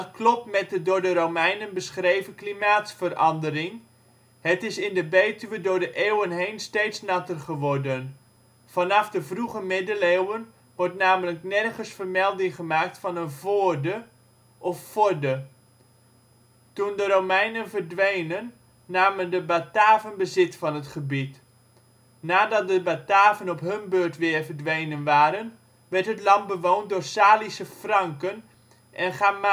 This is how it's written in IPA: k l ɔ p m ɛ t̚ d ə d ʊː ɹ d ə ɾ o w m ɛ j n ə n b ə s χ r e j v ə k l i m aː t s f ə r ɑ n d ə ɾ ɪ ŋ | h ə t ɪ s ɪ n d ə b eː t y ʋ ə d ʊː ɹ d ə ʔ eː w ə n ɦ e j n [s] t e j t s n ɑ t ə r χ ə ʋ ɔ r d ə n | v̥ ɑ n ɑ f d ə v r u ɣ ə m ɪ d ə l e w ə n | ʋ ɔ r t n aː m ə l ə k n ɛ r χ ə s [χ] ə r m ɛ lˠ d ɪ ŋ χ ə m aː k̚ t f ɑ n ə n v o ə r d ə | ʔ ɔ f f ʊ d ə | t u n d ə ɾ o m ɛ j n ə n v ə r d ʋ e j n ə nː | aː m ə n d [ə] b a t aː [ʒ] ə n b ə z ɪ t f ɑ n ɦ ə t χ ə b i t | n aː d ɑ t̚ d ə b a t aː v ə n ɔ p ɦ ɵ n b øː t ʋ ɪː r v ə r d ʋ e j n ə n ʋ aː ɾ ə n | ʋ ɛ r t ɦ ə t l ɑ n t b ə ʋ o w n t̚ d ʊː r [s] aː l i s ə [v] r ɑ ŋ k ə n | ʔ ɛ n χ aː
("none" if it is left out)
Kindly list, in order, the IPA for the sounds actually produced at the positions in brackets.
s, f, ə, v, s, f

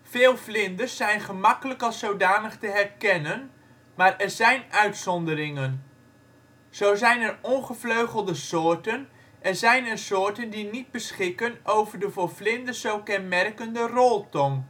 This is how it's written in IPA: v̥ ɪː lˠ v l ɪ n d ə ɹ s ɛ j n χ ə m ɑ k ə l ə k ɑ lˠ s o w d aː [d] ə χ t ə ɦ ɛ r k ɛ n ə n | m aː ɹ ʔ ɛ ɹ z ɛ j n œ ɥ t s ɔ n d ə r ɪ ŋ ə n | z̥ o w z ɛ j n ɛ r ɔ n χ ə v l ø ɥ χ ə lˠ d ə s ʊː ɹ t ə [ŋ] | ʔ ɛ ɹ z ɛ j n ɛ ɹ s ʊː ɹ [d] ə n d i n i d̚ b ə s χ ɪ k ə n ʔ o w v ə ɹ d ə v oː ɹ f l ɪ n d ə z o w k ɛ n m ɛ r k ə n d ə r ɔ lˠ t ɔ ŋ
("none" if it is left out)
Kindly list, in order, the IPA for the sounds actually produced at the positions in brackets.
n, n, t

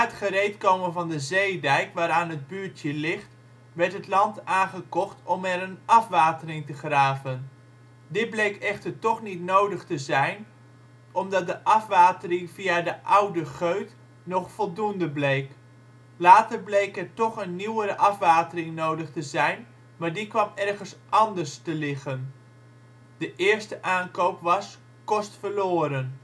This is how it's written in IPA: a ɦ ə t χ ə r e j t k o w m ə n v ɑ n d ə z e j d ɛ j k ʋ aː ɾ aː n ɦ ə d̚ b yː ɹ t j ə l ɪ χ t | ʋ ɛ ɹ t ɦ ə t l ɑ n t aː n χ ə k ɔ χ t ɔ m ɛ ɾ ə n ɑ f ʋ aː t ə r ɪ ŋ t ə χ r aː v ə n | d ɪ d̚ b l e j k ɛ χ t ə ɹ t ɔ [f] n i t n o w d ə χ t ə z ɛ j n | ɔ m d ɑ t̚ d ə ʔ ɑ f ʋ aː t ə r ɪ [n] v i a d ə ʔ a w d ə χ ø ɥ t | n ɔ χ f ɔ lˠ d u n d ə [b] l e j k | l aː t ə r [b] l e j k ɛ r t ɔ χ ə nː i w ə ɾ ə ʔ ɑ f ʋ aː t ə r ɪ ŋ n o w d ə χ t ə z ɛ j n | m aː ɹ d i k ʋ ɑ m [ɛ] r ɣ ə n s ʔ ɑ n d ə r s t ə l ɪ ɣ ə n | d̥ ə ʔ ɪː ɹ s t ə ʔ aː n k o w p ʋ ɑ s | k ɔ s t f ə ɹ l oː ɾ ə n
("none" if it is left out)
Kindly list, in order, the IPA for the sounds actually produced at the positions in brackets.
χ, ŋ, b, b, ɛ

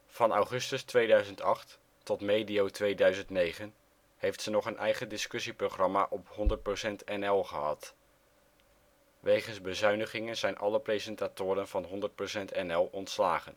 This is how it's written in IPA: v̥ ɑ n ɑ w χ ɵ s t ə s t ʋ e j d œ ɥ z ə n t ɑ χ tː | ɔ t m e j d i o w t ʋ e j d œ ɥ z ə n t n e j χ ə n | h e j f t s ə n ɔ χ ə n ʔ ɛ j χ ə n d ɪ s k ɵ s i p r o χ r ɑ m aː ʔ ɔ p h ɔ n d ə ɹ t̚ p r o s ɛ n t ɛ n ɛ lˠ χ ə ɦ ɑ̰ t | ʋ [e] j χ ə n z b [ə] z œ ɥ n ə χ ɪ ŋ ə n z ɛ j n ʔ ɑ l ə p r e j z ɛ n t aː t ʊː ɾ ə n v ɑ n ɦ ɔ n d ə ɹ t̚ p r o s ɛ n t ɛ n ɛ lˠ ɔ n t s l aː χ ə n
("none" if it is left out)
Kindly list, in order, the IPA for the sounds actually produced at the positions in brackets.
e, ə

